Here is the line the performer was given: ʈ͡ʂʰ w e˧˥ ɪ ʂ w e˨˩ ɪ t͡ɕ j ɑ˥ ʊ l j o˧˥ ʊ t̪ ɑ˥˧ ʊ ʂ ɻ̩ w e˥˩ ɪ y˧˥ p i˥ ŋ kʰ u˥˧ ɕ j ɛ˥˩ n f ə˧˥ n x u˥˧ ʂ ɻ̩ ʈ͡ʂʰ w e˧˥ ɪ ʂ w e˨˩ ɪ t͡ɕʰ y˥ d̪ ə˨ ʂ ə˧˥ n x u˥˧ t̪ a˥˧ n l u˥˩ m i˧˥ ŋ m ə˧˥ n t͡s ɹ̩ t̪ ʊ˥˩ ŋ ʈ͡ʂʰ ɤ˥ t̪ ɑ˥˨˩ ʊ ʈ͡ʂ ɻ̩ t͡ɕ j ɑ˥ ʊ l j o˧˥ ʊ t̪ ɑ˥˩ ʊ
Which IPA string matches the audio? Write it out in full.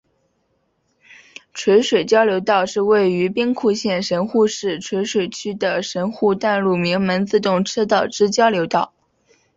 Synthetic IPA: ʈ͡ʂʰ w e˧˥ ɪ ʂ w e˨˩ ɪ t͡ɕ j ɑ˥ ʊ l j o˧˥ ʊ t̪ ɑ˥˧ ʊ ʂ ɻ̩ w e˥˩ ɪ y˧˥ p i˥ ŋ kʰ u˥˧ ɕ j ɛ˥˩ n ʂ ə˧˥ n x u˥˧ ʂ ɻ̩ ʈ͡ʂʰ w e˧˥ ɪ ʂ w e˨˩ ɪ t͡ɕʰ y˥ d̪ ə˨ ʂ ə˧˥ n x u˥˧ t̪ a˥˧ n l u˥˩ m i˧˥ ŋ m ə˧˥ n t͡s ɹ̩ t̪ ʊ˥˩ ŋ ʈ͡ʂʰ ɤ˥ t̪ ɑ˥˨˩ ʊ ʈ͡ʂ ɻ̩ t͡ɕ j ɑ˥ ʊ l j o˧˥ ʊ t̪ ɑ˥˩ ʊ